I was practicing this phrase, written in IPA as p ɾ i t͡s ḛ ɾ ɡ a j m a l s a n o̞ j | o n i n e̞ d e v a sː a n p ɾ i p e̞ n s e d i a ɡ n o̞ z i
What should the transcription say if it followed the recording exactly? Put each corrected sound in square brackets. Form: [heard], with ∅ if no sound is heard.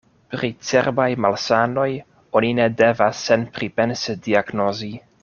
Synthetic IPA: p ɾ i t͡s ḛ ɾ [b] a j m a l s a n o̞ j | o n i n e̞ d e v a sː [e] n p ɾ i p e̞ n s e d i a ɡ n o̞ z i